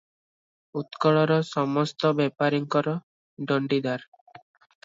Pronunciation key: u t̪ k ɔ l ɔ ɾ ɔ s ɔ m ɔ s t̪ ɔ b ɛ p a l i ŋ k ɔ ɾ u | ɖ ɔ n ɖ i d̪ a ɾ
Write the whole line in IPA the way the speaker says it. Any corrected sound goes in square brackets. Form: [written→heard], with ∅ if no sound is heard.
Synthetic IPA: u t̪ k ɔ [l→ɭ] ɔ ɾ ɔ s ɔ m ɔ s t̪ ɔ b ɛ p a [l→ɾ] i ŋ k ɔ ɾ [u→ɔ] | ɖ ɔ [n→ɳ] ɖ i d̪ a ɾ